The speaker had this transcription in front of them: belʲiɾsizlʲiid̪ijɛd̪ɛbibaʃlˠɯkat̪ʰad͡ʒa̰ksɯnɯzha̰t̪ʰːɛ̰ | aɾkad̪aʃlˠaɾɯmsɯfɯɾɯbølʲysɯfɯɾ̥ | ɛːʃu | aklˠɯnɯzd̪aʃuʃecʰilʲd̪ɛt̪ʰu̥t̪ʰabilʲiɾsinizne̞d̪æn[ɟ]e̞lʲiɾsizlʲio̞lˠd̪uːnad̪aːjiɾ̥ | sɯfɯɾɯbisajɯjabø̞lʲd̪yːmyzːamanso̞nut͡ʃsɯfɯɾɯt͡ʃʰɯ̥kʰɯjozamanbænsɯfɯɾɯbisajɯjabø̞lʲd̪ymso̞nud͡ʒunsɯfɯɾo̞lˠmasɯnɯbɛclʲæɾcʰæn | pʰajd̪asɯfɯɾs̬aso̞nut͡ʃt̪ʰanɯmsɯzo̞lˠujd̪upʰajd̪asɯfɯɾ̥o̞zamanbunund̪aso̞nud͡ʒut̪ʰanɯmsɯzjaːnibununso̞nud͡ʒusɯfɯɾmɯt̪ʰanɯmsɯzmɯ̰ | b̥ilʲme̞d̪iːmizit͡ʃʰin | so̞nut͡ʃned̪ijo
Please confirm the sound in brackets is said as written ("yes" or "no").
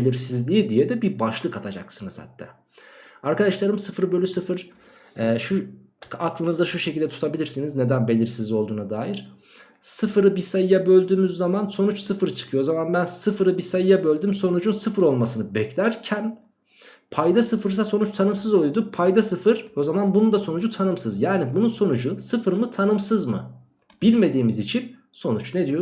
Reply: no